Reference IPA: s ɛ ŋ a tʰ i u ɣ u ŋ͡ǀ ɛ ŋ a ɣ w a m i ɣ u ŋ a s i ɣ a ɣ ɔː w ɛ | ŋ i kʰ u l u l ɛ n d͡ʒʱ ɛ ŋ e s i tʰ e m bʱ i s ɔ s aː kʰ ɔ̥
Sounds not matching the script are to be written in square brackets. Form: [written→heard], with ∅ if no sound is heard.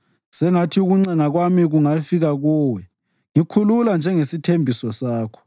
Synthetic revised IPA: s ɛ ŋ a tʰ i u ɣ u ŋ͡ǀ ɛ ŋ a ɣ w a m i ɣ u ŋ a [s→f] i ɣ a ɣ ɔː w ɛ | ŋ i kʰ u l u l [ɛ→a] n d͡ʒʱ ɛ ŋ e s i tʰ e m bʱ i s ɔ s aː kʰ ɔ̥